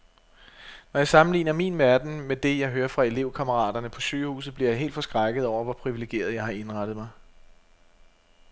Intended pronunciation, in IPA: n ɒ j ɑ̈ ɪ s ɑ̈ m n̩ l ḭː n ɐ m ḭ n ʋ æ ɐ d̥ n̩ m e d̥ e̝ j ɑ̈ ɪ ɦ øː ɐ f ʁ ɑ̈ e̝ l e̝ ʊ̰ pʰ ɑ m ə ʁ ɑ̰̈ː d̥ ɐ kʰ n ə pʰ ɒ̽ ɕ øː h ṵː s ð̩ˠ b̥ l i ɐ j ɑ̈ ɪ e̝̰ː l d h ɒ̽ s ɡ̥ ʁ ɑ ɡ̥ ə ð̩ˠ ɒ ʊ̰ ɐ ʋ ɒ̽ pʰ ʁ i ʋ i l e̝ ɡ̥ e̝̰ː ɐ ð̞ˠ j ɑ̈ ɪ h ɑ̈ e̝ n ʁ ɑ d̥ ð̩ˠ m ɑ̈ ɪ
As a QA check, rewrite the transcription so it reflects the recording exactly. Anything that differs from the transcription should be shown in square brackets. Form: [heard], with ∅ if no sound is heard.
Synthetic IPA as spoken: n ɒ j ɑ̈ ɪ s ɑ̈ m n̩ l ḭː n ɐ m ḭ n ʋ æ ɐ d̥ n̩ m e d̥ e̝ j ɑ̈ ɪ ɦ øː ɐ f ʁ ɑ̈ e̝ l e̝ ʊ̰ [kʰ] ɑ m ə ʁ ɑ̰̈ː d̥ ɐ [∅] n ə pʰ ɒ̽ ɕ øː h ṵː s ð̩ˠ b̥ l i ɐ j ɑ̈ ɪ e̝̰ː l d [f] ɒ̽ s ɡ̥ ʁ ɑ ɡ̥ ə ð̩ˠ ɒ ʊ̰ ɐ ʋ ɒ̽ pʰ ʁ i ʋ i l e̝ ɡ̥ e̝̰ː ɐ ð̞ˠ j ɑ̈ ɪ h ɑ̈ e̝ n ʁ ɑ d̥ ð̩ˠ m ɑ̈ ɪ